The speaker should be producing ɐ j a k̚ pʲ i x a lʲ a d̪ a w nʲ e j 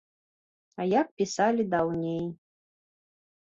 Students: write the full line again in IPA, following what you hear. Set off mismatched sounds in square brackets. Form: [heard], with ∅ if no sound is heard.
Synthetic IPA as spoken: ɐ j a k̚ pʲ i [s] a lʲ [i] d̪ a w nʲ e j